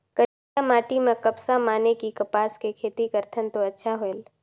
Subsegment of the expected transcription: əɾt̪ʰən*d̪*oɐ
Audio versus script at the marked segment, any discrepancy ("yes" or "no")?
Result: yes